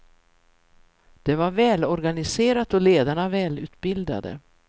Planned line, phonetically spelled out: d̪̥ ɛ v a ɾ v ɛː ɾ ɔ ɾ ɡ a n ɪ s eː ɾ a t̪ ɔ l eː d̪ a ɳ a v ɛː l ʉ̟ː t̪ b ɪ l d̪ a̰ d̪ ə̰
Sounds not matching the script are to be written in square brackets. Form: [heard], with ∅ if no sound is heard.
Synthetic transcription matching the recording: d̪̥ ɛ v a ɾ v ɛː [l] ɔ ɾ ɡ a n ɪ s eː ɾ a t̪ ɔ l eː d̪ a ɳ a v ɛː l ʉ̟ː t̪ b ɪ l d̪ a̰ d̪ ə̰